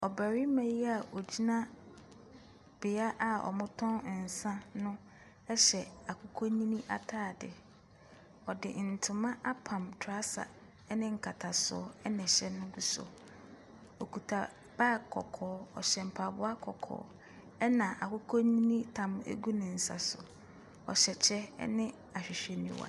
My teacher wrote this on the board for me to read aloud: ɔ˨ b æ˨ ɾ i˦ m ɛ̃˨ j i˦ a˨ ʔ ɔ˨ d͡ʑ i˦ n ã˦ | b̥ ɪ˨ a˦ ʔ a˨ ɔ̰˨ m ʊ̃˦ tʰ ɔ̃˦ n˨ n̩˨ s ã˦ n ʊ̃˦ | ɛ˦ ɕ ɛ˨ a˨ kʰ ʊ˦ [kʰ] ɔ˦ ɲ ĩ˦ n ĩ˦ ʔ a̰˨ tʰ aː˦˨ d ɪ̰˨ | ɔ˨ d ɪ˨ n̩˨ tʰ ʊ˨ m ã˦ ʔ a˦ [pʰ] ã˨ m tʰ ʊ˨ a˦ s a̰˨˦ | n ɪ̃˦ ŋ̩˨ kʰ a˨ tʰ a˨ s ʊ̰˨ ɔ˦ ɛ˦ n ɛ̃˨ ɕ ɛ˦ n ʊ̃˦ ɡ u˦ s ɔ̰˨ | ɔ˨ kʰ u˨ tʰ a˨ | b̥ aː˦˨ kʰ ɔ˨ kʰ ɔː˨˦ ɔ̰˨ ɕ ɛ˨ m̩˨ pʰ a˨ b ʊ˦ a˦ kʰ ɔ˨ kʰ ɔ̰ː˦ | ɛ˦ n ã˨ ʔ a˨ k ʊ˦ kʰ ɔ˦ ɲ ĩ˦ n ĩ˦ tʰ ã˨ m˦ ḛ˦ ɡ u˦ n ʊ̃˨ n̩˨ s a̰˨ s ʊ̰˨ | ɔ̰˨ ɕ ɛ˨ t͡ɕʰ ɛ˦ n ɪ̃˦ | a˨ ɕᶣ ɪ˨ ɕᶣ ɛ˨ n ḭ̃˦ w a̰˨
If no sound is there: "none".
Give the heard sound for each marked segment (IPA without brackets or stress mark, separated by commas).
kʰ, pʰ